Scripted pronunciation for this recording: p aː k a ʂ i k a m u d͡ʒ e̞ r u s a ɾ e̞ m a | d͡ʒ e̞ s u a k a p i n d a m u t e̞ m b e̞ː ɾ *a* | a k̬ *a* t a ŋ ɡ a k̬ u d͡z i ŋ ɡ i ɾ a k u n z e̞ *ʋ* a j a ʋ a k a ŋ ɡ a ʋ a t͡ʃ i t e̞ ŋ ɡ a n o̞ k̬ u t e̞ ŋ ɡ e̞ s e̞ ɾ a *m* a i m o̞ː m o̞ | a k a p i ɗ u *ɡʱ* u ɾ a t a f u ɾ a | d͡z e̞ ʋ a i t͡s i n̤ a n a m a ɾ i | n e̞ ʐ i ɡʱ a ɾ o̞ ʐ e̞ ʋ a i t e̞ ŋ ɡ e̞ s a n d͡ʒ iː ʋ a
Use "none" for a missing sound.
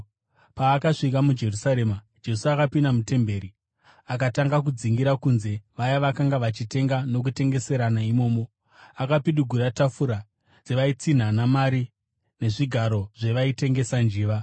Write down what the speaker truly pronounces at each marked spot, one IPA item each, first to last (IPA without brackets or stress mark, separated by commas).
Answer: i, a, ʋ, n, ɡʱ